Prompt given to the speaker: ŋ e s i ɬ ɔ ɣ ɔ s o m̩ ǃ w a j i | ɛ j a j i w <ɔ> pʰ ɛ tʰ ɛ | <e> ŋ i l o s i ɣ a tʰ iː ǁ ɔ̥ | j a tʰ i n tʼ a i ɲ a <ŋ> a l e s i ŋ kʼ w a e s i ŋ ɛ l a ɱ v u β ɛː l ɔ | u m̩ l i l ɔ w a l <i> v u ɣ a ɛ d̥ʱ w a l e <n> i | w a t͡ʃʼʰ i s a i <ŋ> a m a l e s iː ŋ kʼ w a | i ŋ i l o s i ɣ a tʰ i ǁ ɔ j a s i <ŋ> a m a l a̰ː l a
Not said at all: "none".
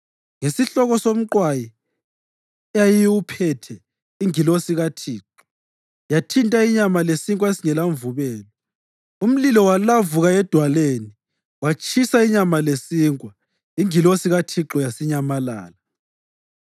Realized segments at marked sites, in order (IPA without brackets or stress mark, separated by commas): u, i, m, a, n, ɲ, ɲ